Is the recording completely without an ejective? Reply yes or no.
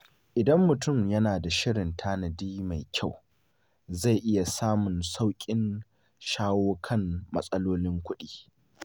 no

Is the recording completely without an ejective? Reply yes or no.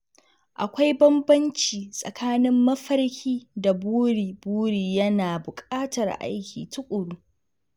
no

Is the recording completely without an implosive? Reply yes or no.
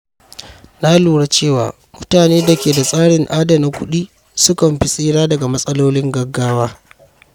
no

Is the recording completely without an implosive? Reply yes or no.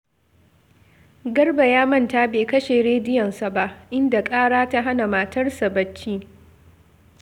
yes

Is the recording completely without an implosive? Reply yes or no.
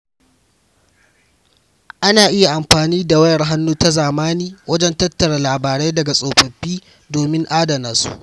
yes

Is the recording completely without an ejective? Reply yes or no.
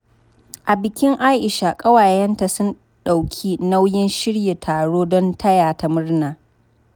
no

